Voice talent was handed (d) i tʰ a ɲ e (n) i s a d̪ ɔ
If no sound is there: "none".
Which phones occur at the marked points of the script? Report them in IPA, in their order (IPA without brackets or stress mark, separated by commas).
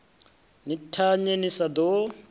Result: n, n